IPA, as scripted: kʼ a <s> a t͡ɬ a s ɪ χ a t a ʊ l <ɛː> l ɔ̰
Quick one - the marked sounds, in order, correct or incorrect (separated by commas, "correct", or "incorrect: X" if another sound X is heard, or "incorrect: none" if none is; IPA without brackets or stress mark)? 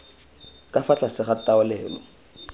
incorrect: f, correct